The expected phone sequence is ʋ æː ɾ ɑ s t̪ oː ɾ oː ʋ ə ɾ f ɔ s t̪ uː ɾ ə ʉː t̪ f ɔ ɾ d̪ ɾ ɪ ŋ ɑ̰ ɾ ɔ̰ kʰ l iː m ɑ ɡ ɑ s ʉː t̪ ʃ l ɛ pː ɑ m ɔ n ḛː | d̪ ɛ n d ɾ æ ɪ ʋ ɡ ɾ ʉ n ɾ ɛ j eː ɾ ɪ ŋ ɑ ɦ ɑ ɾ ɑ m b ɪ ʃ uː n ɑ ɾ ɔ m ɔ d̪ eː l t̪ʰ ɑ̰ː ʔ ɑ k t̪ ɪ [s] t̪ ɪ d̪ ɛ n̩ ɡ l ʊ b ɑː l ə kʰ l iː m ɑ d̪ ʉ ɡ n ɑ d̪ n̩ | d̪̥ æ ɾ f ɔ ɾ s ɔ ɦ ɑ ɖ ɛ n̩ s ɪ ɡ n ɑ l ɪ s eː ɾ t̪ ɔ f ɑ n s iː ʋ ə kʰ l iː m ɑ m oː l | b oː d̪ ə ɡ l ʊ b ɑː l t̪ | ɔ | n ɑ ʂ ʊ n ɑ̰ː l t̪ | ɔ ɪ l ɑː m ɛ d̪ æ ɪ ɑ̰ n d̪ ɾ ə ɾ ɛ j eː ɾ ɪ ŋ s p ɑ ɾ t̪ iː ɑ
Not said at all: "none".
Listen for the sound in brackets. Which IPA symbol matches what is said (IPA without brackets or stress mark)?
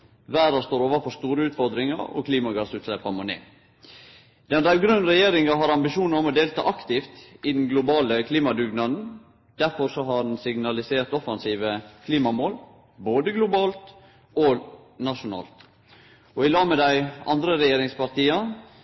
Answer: f